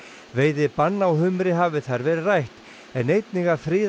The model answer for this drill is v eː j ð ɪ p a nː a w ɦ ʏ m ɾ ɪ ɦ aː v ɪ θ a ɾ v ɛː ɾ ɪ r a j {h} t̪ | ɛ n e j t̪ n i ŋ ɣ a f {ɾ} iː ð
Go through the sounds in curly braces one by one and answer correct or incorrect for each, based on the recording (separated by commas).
correct, correct